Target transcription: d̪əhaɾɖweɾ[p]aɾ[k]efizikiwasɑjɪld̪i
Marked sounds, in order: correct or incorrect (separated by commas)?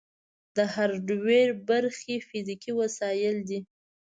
incorrect, incorrect